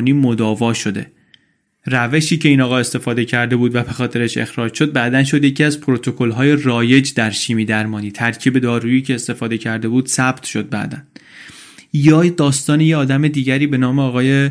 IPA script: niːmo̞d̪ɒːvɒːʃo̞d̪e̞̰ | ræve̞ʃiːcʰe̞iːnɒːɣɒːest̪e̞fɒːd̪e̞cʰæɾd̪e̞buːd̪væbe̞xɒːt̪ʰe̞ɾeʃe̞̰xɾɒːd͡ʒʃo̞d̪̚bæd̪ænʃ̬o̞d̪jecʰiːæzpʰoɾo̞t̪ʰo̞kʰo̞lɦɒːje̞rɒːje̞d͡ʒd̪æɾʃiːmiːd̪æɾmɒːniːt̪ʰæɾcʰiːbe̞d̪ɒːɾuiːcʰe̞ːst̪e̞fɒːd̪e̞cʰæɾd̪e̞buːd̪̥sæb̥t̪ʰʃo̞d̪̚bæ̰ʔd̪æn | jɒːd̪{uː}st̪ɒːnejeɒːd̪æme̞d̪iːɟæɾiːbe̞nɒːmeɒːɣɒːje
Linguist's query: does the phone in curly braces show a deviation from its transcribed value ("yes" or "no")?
yes